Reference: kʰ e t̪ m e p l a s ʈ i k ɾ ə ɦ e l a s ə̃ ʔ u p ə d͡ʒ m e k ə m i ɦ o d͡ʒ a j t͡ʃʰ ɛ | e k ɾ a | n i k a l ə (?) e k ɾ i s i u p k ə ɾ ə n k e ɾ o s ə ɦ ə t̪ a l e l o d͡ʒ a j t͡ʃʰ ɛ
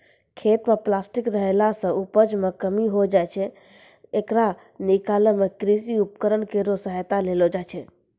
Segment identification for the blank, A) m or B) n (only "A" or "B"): A